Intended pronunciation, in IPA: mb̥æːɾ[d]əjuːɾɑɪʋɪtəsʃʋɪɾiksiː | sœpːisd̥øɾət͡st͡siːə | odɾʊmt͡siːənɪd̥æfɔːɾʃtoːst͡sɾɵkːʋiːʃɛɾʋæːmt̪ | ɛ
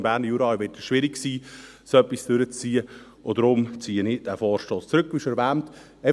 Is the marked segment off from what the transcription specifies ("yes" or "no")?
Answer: yes